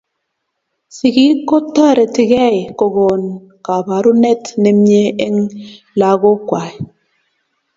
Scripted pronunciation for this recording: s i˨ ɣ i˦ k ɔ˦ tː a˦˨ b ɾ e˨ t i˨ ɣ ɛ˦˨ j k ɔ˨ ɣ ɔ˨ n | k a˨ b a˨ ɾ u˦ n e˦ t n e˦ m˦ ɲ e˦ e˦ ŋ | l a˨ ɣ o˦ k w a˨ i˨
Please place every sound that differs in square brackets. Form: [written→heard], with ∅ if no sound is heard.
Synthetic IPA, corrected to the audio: s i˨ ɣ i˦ k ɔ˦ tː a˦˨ [b→∅] ɾ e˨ t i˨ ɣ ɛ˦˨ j k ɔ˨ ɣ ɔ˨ n | k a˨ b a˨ ɾ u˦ n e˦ t n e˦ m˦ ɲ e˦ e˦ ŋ | l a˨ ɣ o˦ k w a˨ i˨